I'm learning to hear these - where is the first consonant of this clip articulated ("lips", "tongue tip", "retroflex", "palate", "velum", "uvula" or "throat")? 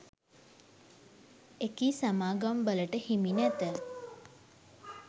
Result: velum